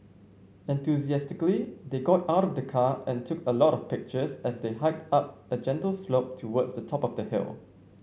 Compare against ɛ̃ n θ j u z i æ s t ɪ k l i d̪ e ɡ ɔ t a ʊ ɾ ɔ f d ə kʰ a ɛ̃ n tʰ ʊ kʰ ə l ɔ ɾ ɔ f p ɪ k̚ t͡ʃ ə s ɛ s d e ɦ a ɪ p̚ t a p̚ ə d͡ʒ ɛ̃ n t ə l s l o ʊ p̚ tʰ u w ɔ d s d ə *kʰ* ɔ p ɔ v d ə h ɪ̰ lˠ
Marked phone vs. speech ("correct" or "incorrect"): incorrect